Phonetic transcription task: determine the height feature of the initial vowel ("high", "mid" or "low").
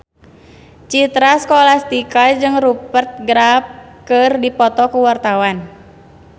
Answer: high